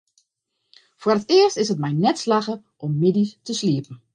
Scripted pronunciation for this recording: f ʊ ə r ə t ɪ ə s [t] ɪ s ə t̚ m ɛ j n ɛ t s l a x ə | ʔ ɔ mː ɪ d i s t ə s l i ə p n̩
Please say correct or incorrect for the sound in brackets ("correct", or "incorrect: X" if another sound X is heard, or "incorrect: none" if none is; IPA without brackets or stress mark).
correct